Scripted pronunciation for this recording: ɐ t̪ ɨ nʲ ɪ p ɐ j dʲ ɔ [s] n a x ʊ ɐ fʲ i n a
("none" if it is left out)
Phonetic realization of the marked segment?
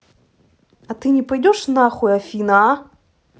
ʂ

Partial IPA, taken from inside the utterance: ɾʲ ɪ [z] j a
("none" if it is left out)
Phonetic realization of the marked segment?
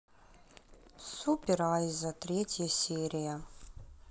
none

